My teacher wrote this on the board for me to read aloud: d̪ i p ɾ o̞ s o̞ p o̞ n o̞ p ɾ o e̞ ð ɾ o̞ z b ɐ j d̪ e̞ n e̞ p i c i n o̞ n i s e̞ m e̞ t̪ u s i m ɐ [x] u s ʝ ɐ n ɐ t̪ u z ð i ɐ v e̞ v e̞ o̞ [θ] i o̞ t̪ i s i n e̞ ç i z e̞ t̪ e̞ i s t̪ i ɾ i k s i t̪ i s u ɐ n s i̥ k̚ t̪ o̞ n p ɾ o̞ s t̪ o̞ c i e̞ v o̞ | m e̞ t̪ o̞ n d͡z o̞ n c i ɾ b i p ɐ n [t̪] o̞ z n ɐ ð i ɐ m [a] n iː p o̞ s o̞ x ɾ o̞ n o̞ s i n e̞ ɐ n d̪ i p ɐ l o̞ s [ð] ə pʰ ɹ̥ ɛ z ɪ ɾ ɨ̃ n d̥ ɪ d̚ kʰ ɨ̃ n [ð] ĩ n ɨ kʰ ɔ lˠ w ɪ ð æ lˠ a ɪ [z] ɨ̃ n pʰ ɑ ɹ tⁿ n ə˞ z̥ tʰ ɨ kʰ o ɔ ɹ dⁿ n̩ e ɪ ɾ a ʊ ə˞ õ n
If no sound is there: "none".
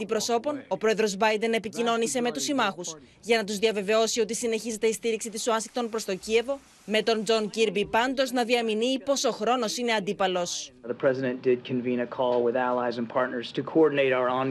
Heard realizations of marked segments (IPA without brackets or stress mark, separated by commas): x, s, d̪, i, ð, v, z